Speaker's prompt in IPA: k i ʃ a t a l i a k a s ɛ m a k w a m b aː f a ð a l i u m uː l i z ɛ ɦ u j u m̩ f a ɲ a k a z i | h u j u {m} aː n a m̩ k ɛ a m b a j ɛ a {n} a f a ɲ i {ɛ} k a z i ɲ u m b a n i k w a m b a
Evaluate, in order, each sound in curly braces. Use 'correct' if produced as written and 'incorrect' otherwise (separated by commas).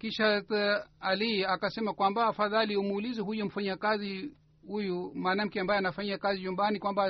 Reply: correct, correct, incorrect